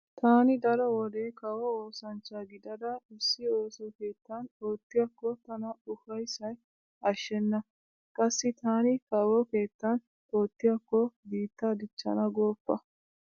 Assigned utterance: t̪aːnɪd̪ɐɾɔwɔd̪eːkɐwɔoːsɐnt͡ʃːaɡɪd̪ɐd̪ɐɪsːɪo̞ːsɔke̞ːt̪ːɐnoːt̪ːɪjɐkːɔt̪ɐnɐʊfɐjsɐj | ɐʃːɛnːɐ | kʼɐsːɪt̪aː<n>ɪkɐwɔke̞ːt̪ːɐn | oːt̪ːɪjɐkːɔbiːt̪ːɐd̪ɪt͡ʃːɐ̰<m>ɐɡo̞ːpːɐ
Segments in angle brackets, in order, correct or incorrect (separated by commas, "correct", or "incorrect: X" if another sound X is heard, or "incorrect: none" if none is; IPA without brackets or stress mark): correct, incorrect: n